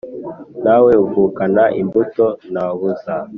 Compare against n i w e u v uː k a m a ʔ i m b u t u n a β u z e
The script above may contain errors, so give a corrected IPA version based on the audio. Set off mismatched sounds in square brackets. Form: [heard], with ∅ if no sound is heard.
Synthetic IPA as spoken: n [a] w e u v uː k a [n] a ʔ i m b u t [o] n a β u z [a]